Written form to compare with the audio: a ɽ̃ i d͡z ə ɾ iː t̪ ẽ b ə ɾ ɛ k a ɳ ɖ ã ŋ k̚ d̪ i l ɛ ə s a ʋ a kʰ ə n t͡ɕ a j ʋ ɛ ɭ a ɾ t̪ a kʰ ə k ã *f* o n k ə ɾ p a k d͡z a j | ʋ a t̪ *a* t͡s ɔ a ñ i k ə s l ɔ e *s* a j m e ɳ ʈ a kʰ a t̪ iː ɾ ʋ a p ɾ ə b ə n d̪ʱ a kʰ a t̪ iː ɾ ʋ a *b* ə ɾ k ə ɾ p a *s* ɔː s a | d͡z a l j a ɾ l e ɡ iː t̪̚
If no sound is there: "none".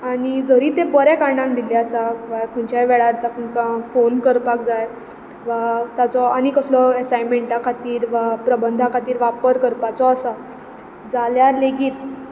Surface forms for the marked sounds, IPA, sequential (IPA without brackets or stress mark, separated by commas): f, a, s, p, t͡s